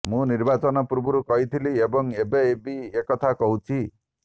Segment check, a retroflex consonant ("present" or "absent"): absent